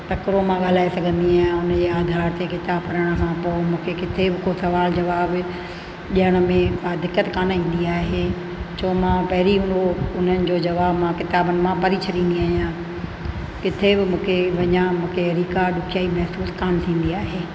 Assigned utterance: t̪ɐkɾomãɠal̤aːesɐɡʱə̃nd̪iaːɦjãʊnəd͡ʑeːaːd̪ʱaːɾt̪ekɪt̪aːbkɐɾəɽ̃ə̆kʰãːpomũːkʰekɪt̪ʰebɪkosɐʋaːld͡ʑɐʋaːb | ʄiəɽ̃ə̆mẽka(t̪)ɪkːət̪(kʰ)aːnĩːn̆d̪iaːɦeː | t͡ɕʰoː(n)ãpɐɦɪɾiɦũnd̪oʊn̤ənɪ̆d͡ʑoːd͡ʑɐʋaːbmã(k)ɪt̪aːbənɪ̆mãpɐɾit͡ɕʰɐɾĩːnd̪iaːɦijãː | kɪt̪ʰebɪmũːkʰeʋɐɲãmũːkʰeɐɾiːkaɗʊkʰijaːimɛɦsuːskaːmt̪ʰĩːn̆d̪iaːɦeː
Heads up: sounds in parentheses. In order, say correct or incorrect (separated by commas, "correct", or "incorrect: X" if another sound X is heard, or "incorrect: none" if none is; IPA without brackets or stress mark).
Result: incorrect: d̪, incorrect: k, incorrect: m, correct